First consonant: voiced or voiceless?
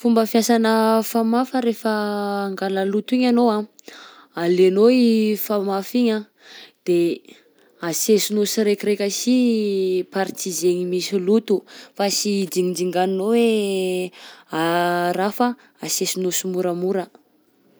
voiceless